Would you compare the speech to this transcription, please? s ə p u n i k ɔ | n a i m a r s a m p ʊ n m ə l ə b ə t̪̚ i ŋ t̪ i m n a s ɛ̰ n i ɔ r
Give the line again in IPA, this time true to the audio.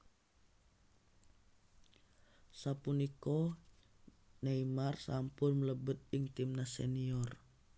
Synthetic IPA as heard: s a p u n i k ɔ | n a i m a r s a m p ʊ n m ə l ə b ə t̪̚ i ŋ t̪ i m n a s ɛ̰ n i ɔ r